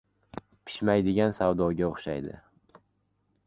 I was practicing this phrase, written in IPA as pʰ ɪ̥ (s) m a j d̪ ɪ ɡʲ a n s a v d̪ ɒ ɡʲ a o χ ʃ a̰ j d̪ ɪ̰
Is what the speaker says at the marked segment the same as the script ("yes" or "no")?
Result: no